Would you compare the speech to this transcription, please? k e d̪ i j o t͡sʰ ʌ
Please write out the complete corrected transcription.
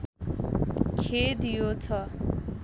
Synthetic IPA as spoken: kʰ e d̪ i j o t͡sʰ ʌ